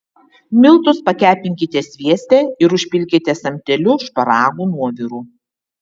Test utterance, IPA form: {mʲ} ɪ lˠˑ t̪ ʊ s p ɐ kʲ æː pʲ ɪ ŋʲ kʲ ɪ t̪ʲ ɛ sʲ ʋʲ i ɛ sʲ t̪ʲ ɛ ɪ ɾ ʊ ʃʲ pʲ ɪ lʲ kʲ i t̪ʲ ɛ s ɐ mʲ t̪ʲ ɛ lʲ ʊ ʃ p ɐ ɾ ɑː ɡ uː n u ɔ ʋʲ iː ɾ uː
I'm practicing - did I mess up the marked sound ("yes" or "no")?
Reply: no